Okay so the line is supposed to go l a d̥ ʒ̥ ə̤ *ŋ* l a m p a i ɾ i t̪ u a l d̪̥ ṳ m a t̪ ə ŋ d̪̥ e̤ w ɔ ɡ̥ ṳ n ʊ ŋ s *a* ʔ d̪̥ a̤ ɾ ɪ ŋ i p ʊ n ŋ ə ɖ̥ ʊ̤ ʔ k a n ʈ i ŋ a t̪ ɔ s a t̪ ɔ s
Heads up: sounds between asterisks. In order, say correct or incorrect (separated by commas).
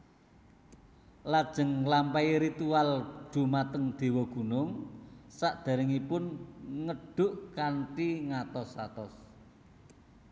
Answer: correct, correct